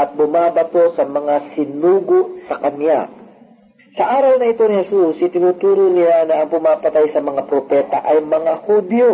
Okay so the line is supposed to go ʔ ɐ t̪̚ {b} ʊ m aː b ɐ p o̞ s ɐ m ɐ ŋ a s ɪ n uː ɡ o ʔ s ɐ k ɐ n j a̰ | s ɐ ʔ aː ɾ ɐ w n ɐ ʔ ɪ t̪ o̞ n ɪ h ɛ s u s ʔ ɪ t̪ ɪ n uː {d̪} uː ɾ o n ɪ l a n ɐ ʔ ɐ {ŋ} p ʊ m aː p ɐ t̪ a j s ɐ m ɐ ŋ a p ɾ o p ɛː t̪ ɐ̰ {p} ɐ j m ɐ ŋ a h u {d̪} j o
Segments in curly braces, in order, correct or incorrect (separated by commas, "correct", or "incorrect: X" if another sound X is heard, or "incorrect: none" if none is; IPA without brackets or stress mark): correct, incorrect: t̪, correct, incorrect: ʔ, correct